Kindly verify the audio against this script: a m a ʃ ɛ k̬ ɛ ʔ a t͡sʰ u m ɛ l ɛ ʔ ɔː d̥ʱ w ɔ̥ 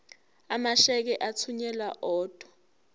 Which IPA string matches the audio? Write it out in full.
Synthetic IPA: a m a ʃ ɛ k̬ ɛ ʔ a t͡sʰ u ɲ ɛ l a ʔ ɔː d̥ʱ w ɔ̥

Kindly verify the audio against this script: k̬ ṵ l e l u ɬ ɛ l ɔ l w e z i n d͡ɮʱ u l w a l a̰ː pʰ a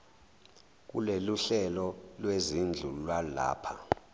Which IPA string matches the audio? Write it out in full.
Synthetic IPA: k̬ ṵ l e l u ɬ ɛ l ɔ l w e z i n d͡ɮʱ u l w a l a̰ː pʰ a

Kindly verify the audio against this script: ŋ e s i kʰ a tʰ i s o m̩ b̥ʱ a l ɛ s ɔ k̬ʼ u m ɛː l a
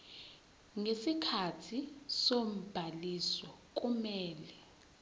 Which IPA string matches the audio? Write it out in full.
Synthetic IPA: ŋ e s i kʰ a tʰ i s o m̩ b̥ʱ a l i s ɔ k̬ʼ u m ɛː l ɛ

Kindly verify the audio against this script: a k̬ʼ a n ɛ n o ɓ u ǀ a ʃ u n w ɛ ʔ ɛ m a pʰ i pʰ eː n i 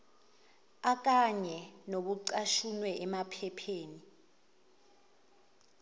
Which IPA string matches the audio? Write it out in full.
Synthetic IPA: a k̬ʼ a ɲ ɛ n o ɓ u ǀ a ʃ u n w ɛ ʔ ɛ m a pʰ ɛ pʰ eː n i

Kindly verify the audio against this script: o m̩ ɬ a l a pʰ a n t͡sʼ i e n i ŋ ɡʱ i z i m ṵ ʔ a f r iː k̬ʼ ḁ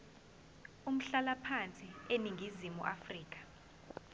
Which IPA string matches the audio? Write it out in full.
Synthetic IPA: u m̩ ɬ a l a pʰ a n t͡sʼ i e n i ŋ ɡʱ i z i m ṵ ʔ a f r iː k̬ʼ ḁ

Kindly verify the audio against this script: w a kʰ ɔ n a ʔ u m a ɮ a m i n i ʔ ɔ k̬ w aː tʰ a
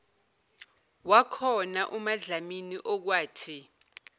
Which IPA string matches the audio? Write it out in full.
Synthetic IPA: w a kʰ ɔ n a ʔ u m a ɮ a m i n i ʔ ɔ k̬ w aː tʰ i

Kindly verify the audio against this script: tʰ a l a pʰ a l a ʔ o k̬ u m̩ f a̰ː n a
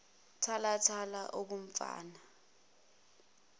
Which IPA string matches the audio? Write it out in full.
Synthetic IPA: tʰ a l a tʰ a l a ʔ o k̬ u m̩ f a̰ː n a

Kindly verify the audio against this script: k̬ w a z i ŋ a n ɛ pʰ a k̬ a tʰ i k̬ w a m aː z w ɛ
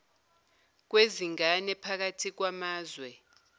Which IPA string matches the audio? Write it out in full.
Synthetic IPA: k̬ w e z i ŋ a n ɛ pʰ a k̬ a tʰ i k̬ w a m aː z w ɛ

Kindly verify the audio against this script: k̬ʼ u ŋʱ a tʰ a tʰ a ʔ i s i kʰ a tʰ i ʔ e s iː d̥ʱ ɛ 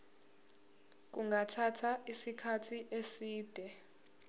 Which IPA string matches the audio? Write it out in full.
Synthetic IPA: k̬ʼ u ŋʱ a tʰ a tʰ a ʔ i s i kʰ a tʰ i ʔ e s iː d̥ʱ ɛ

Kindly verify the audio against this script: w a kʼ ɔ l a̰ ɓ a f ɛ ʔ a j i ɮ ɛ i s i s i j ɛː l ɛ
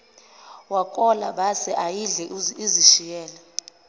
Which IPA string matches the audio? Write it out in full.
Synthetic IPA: w a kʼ ɔ l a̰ ɓ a s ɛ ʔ a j i ɮ ɛ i z i ʃ i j ɛː l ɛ

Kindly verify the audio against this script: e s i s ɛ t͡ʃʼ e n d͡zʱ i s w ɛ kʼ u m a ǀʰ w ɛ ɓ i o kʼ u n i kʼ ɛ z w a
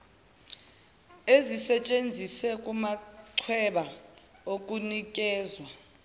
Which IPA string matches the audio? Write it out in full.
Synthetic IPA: e z i s ɛ t͡ʃʼ e n d͡zʱ i s w ɛ kʼ u m a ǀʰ w ɛ ɓ a o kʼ u n i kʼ ɛː z w a

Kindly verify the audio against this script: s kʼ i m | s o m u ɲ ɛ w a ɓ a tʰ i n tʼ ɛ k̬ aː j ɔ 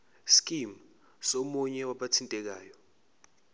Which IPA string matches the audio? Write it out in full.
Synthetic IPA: s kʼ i m | s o m u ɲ ɛ w a ɓ a tʰ i n tʼ ɛ k̬ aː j ɔ

